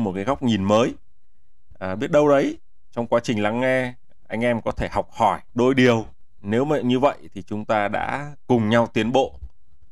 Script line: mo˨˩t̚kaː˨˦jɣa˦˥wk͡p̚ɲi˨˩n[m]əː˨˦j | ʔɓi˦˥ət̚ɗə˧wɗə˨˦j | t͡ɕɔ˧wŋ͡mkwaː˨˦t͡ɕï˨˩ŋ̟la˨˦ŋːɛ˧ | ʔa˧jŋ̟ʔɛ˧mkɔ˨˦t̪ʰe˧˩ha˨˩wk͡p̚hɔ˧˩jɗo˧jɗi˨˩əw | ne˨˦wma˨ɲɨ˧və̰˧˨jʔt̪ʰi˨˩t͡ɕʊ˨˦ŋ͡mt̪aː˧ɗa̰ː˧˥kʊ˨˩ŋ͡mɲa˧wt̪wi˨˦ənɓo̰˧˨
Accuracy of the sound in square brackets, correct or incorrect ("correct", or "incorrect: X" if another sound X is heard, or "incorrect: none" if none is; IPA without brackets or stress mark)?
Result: correct